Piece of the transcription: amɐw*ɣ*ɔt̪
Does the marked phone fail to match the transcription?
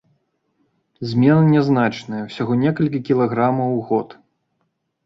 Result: no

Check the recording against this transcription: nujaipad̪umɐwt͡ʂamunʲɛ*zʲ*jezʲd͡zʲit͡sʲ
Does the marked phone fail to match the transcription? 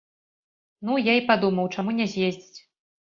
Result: no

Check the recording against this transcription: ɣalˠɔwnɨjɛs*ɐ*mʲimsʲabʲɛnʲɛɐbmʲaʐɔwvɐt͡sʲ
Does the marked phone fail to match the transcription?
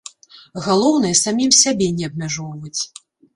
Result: yes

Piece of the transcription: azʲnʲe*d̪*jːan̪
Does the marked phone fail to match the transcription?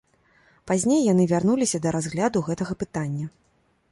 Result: yes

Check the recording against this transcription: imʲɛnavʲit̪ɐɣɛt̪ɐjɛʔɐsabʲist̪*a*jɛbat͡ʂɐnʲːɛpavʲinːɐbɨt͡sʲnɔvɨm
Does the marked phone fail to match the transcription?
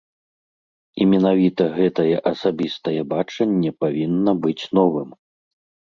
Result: yes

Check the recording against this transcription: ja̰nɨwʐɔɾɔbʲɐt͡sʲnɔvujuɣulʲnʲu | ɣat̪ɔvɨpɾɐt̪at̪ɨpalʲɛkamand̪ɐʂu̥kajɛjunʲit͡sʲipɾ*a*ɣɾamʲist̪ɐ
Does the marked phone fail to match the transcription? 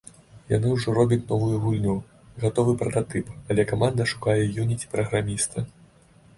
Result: yes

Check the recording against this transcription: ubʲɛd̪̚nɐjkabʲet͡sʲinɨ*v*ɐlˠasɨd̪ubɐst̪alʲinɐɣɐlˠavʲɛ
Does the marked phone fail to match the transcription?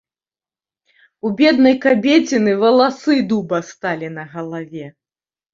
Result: no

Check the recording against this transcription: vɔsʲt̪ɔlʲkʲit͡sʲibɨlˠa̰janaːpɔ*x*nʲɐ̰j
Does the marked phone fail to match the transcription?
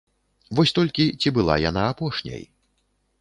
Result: yes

